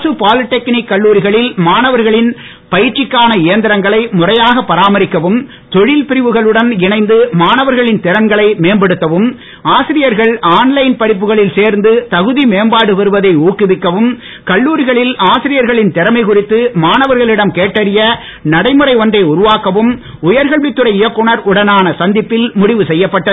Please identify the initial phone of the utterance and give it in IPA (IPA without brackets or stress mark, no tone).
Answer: s